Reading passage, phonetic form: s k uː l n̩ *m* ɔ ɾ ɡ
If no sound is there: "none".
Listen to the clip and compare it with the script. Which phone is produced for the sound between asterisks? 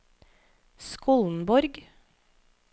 b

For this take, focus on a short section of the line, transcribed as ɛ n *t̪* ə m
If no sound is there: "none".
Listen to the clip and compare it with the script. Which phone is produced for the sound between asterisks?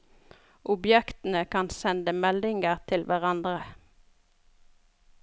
d̪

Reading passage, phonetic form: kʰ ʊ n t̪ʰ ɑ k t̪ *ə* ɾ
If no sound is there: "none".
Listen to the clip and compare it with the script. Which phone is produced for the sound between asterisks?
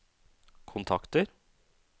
ə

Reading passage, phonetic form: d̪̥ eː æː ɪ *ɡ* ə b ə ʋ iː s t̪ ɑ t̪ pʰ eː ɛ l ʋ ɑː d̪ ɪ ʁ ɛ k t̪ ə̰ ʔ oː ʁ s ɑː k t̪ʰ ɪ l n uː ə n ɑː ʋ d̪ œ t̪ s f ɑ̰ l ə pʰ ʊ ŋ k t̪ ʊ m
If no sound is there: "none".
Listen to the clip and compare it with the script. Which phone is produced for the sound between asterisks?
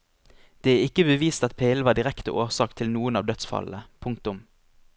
k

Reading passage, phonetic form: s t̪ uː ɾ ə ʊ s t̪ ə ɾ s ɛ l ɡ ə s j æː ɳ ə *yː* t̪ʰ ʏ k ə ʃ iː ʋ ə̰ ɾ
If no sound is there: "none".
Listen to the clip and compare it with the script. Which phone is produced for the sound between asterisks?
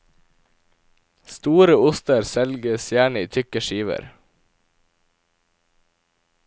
iː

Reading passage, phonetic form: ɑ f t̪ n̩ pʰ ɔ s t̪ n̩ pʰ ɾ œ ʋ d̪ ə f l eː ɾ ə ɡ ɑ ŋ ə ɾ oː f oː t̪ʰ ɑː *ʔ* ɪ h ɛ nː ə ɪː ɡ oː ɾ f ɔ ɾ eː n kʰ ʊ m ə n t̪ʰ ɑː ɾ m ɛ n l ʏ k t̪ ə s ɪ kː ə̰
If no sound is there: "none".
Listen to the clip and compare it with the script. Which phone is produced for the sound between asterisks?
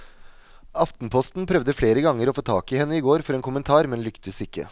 k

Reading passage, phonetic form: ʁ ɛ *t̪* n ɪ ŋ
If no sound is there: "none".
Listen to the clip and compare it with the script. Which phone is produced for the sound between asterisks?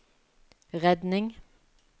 d̪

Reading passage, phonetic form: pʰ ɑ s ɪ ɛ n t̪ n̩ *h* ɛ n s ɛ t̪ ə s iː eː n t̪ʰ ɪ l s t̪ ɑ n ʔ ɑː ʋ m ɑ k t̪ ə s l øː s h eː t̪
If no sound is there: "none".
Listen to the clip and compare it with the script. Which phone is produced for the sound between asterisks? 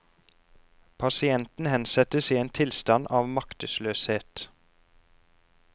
h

